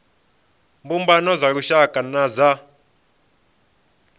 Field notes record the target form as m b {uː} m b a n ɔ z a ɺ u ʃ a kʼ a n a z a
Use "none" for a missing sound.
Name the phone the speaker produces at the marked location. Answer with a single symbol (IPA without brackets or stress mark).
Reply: u